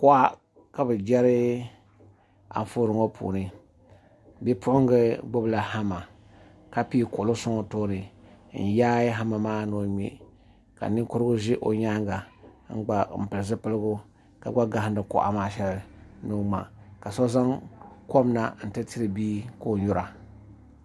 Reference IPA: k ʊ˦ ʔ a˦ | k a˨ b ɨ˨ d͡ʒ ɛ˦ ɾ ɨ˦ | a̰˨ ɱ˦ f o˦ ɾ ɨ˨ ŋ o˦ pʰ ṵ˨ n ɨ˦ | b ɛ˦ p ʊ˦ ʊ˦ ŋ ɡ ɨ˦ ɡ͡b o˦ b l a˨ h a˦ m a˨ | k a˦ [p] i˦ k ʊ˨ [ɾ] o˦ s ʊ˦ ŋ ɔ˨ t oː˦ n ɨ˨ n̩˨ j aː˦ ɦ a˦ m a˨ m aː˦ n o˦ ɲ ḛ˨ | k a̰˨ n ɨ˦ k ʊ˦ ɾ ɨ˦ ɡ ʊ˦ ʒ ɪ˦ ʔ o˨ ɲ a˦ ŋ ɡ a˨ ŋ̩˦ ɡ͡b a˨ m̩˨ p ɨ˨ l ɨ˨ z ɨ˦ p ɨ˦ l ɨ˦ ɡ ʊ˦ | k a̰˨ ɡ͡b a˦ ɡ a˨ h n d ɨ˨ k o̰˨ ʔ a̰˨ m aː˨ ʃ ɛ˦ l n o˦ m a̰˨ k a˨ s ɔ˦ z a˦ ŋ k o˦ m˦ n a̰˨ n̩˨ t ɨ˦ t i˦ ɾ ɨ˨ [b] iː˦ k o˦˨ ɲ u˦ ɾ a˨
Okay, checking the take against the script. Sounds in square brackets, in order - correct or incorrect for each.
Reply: correct, incorrect: l, correct

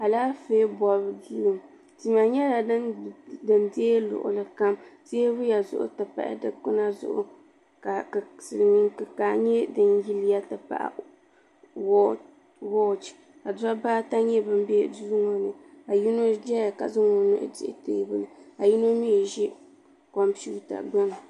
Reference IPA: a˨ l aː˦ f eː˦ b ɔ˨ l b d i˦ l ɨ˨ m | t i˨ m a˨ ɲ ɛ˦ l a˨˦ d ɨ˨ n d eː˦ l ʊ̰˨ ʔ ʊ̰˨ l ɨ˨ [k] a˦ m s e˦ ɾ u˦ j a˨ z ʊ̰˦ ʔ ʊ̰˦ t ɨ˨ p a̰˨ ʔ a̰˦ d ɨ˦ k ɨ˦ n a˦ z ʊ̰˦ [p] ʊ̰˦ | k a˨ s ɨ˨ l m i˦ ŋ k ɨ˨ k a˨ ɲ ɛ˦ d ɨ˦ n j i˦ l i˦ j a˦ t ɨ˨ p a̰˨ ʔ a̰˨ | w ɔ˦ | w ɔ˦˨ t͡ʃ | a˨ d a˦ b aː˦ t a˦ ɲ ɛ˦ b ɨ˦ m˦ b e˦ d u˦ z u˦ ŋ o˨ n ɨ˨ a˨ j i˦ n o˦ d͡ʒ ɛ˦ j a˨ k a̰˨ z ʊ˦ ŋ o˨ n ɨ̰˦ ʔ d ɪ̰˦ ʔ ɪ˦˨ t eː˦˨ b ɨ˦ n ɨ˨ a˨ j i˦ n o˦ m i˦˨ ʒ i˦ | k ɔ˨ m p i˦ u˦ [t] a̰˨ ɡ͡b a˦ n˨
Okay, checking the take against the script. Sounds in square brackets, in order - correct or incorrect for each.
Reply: correct, incorrect: ʔ, correct

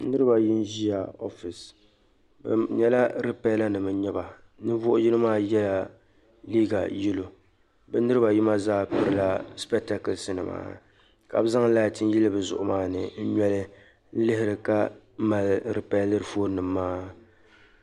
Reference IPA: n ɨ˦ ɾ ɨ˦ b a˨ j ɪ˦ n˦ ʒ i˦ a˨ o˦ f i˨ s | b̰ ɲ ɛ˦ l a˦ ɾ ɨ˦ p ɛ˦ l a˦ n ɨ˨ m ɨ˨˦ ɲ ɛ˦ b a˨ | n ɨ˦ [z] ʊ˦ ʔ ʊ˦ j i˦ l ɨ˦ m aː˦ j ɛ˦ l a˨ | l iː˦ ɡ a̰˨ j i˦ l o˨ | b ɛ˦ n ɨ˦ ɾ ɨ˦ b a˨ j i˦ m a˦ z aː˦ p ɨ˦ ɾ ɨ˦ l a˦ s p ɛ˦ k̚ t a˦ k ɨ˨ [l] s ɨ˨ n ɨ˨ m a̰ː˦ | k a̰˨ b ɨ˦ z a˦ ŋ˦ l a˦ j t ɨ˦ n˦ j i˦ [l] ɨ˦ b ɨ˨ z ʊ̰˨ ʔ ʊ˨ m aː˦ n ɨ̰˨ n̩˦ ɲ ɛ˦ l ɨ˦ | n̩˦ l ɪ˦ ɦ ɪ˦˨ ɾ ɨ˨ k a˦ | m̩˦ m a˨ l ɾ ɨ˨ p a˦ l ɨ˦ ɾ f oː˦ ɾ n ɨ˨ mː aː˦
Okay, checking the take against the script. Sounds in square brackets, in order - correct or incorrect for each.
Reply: incorrect: v, correct, correct

